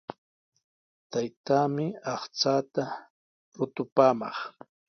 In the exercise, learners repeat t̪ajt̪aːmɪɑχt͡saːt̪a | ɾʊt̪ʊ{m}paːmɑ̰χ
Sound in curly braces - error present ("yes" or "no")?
yes